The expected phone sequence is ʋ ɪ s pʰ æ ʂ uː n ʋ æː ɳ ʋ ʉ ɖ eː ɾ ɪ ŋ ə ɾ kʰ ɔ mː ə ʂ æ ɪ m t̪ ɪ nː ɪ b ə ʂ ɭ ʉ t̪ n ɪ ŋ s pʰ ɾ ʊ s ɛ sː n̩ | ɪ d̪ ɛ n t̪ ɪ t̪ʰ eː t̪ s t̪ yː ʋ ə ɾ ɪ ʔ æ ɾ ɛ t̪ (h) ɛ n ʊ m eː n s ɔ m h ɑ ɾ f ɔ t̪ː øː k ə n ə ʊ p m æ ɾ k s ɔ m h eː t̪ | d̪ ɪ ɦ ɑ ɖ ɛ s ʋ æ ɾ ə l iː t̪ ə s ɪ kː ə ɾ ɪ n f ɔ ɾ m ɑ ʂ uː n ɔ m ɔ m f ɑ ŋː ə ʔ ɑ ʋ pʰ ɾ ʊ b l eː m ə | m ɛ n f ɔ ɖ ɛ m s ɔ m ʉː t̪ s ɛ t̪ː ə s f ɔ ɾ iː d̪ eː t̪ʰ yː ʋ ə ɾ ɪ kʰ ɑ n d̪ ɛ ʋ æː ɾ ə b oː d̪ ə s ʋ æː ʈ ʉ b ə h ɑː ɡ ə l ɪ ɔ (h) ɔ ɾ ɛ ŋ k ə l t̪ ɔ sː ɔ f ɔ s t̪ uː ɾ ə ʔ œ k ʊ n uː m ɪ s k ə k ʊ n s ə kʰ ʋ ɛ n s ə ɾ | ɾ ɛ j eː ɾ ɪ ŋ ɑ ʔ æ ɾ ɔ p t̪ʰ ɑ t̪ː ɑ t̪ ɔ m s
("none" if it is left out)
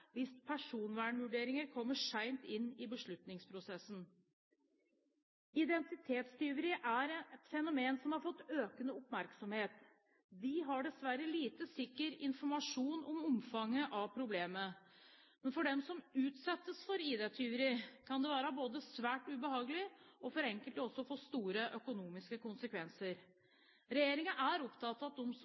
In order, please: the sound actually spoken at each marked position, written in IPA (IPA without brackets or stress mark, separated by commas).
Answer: f, f